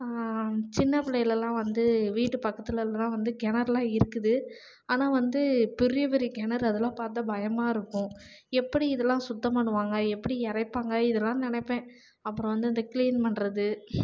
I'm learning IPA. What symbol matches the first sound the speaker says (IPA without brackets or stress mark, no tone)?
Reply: t͡ʃ